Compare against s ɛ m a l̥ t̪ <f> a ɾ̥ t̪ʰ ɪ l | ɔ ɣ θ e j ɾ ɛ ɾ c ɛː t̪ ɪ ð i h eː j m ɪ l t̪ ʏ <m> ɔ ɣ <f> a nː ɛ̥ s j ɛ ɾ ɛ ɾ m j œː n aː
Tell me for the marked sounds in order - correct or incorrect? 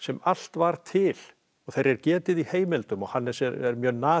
incorrect, correct, incorrect

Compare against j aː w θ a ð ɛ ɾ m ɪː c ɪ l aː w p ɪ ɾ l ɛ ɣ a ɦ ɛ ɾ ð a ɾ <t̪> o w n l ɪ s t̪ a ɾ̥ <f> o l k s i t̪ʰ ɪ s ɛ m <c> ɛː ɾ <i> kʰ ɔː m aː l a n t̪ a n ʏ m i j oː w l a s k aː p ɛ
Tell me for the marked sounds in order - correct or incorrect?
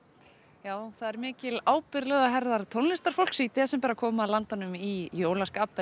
incorrect, correct, incorrect, incorrect

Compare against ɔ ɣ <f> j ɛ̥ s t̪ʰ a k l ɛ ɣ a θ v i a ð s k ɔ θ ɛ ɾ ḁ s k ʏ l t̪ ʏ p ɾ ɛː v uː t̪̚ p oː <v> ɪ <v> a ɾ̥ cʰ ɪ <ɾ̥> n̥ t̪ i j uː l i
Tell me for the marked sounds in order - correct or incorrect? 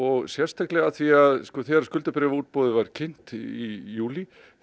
incorrect, incorrect, correct, incorrect

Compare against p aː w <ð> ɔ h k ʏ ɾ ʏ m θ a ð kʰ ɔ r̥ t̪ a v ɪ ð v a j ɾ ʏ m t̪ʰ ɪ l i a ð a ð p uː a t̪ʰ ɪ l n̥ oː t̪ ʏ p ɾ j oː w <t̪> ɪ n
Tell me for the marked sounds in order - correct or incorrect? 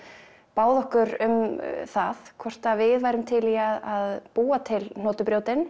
correct, correct

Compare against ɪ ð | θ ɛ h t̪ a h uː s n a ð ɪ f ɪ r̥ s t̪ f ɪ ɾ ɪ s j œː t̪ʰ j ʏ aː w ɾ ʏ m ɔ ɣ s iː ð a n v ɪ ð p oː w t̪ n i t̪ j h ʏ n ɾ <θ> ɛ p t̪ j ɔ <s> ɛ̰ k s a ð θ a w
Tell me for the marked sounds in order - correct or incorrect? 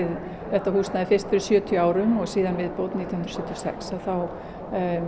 incorrect, correct

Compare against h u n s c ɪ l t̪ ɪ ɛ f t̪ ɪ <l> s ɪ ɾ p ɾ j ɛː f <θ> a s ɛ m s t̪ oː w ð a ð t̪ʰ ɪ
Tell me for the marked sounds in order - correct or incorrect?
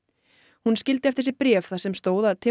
incorrect, correct

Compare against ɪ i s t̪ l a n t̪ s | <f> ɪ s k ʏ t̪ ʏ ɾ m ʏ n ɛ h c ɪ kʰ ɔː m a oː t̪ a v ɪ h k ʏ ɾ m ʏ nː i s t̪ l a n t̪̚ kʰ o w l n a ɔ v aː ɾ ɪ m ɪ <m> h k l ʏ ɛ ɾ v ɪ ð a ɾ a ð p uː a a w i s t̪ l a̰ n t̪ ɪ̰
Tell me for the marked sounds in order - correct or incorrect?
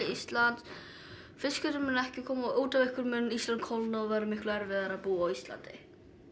correct, incorrect

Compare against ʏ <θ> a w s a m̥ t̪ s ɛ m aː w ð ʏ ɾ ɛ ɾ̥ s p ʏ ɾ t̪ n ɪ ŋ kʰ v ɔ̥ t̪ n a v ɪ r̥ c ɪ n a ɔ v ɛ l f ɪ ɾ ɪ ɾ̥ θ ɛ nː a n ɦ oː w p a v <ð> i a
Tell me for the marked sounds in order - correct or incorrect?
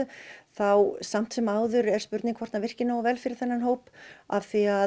correct, incorrect

